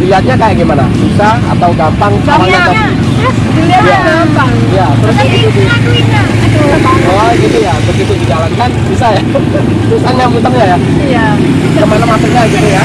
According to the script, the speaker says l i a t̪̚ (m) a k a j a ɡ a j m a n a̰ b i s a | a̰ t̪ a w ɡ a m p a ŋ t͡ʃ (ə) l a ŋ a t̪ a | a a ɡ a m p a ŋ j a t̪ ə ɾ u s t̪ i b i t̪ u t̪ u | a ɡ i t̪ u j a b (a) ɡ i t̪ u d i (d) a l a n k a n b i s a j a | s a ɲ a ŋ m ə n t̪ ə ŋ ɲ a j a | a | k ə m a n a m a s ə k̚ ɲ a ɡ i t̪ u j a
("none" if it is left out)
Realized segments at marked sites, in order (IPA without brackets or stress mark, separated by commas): ɲ, a, ə, d͡ʒ